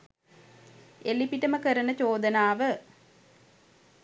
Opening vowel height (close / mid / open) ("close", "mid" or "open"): mid